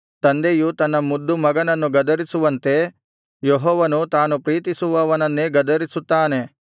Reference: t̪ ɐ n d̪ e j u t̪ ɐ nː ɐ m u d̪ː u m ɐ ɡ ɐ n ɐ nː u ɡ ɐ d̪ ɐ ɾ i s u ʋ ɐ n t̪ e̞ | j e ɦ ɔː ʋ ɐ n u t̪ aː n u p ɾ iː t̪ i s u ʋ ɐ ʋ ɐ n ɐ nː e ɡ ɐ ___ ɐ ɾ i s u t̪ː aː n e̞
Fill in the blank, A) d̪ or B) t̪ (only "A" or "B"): A